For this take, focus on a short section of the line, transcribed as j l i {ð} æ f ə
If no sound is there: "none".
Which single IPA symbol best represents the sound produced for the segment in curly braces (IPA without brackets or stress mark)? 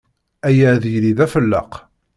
ð